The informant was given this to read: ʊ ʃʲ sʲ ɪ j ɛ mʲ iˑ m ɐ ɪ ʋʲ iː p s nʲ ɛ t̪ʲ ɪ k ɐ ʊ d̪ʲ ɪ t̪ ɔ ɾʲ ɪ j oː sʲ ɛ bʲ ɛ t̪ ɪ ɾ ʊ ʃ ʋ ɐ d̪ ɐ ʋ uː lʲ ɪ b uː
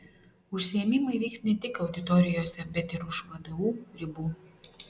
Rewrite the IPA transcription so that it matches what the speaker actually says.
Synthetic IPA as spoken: ʊ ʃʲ sʲ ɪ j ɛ mʲ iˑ m ɐ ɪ ʋʲ iː k s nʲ ɛ t̪ʲ ɪ k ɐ ʊ d̪ʲ ɪ t̪ ɔ ɾʲ ɪ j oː sʲ ɛ bʲ ɛ t̪ ɪ ɾ ʊ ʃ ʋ ɐ d̪ ɐ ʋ uː ɾʲ ɪ b uː